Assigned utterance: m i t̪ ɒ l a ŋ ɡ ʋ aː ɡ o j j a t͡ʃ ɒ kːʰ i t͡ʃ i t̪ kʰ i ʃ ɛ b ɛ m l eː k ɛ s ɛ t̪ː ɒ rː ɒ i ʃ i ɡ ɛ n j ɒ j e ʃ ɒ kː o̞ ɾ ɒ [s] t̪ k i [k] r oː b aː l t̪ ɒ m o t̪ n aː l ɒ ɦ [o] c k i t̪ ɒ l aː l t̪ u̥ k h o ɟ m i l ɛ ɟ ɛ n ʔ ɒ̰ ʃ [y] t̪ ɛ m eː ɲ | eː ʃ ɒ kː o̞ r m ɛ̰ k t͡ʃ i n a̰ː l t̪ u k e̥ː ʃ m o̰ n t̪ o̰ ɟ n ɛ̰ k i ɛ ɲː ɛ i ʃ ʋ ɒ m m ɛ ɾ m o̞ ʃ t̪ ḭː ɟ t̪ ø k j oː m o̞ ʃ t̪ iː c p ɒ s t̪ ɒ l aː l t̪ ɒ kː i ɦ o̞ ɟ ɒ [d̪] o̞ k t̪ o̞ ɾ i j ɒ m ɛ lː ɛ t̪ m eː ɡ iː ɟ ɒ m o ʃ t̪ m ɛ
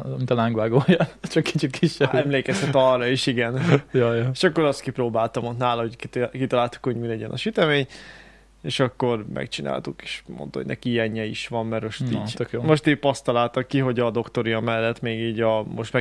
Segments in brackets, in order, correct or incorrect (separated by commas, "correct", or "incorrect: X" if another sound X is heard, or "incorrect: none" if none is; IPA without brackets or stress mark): correct, incorrect: p, correct, correct, correct